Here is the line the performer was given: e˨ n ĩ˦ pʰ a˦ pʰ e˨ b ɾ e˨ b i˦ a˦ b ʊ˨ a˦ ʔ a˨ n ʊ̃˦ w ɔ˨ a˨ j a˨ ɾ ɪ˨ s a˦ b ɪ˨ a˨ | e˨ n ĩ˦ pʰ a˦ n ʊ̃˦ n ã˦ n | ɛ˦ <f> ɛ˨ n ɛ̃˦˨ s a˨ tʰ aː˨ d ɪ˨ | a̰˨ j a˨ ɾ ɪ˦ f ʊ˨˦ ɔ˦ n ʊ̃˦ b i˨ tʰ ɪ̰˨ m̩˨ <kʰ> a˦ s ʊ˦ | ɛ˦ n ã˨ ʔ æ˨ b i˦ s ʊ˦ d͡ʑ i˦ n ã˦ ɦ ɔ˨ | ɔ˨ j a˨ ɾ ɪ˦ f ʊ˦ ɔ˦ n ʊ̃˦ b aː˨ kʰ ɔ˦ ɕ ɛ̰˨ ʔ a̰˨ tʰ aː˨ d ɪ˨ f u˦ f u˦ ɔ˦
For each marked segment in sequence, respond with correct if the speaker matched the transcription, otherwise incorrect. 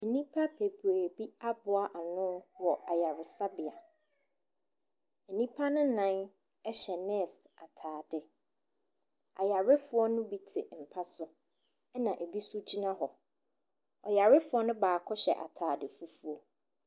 incorrect: ɕ, incorrect: pʰ

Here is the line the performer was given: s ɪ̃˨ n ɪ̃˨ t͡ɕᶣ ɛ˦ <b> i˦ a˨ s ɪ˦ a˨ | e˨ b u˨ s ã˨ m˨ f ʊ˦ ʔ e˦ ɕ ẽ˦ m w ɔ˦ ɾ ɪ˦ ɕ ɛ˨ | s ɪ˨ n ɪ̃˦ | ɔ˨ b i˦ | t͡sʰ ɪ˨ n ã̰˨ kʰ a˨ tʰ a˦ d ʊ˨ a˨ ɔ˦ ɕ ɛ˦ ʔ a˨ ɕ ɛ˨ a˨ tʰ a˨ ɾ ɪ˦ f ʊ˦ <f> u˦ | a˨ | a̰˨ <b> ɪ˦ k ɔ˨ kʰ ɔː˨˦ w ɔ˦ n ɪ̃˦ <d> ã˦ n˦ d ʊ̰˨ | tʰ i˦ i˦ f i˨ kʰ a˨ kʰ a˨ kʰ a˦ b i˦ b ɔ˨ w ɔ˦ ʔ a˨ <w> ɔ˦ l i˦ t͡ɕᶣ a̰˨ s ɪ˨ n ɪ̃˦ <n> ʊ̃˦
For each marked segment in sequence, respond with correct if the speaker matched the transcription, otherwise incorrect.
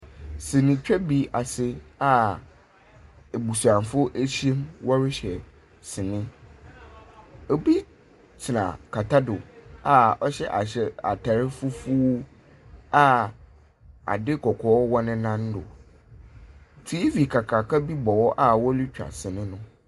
correct, correct, incorrect: d, incorrect: n, correct, correct

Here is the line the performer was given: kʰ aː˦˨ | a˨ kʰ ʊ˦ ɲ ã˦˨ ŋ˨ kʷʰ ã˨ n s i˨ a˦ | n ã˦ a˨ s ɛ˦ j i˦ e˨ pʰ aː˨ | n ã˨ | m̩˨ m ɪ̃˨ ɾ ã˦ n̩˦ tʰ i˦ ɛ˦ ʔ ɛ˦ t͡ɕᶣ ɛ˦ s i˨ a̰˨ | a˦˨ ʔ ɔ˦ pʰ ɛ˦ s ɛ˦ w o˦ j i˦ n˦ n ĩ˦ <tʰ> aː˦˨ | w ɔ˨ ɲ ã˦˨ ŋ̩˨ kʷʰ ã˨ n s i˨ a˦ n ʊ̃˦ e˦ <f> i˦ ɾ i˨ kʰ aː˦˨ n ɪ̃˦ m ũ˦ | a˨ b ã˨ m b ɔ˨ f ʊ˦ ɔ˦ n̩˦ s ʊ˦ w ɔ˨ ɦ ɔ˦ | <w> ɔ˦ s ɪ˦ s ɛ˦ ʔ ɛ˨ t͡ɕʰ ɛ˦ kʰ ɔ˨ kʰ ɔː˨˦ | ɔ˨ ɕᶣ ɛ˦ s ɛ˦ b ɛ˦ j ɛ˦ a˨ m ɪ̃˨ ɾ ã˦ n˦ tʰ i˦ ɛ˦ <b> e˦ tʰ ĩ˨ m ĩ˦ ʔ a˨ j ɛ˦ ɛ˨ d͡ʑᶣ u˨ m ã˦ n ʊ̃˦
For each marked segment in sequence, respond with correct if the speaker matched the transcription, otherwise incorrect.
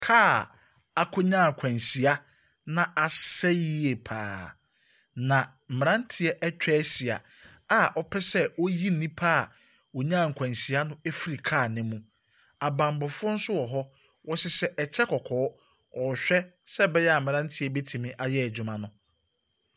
incorrect: pʰ, correct, correct, correct

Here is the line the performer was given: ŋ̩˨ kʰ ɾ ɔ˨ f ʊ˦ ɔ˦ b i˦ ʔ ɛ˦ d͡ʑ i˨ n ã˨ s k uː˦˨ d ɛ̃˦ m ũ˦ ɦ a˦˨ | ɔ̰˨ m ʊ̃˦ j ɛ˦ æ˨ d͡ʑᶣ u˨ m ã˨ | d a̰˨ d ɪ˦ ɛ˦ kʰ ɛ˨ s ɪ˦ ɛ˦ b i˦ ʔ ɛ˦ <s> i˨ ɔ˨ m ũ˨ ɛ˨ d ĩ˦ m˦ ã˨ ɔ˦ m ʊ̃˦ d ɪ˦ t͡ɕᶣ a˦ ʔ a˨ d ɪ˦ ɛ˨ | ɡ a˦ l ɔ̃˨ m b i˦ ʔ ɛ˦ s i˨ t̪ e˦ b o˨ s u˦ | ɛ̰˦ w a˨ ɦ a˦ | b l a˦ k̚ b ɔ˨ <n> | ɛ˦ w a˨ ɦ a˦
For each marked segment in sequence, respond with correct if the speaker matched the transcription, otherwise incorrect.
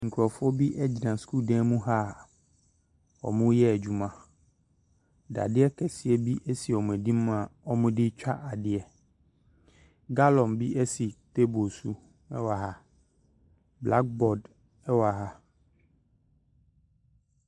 correct, incorrect: d

